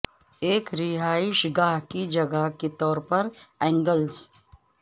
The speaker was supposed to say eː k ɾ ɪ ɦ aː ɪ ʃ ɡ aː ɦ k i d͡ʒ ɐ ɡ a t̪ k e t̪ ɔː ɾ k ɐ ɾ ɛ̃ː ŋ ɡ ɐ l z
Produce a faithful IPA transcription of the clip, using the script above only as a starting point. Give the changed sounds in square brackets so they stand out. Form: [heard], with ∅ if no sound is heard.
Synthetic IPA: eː k ɾ ɪ ɦ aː ɪ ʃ ɡ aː ɦ k i d͡ʒ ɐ ɡ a [∅] k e t̪ ɔː ɾ [p] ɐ ɾ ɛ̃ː ŋ ɡ [ə] l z